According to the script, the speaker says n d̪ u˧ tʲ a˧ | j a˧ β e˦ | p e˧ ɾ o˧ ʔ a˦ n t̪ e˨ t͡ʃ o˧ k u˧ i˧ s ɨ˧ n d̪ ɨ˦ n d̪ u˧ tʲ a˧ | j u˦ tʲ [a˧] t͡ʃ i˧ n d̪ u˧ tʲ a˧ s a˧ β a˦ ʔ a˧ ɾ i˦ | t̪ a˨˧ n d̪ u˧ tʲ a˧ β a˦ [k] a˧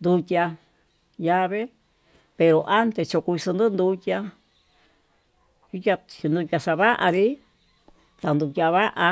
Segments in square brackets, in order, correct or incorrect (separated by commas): correct, incorrect